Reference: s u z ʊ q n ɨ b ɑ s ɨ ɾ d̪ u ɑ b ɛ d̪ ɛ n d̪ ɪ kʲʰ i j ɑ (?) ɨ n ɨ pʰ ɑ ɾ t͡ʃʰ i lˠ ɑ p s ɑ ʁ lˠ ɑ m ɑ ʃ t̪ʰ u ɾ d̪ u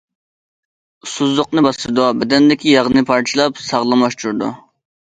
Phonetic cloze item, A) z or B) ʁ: B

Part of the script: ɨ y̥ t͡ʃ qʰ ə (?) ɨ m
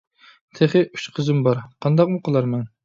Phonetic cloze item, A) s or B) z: B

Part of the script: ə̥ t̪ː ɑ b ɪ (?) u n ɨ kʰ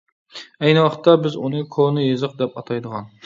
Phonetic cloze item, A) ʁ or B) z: B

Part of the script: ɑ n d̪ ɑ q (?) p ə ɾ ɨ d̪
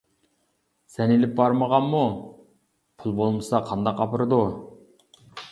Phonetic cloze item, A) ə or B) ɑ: B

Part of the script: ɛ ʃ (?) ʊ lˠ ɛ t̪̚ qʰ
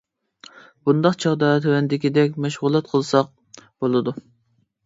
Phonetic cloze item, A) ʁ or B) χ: A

